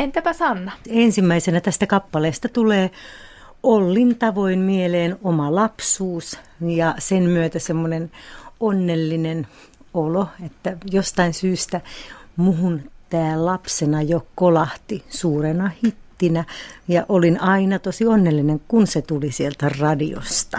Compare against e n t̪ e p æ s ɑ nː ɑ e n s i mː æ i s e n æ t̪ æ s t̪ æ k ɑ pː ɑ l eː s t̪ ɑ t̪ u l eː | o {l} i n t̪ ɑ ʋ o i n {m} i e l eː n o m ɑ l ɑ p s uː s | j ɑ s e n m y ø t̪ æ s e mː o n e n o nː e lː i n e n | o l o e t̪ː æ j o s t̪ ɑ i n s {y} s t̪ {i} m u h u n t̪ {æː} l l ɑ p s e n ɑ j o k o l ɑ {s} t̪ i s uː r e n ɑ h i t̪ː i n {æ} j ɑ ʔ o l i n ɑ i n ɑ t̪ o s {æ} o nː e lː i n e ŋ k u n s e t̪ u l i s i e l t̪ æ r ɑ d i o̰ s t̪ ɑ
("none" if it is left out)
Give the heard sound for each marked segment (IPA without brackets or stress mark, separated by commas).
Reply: lː, m, yː, æ, æː, h, æ, i